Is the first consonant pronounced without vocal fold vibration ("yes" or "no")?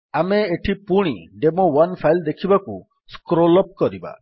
no